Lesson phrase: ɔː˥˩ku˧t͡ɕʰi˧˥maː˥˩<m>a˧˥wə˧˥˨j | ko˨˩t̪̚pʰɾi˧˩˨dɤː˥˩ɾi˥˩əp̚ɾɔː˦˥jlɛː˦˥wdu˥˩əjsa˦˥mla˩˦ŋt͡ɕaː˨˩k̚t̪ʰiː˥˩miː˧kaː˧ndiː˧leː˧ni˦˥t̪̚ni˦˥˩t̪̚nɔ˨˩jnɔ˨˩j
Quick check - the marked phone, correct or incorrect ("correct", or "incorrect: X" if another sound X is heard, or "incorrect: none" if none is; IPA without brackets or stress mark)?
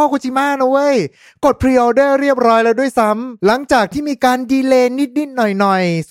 incorrect: n